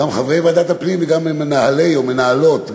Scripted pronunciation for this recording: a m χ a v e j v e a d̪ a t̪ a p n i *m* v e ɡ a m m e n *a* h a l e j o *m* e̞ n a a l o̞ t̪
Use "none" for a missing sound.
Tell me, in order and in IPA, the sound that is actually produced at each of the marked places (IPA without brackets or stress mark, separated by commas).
m, a, m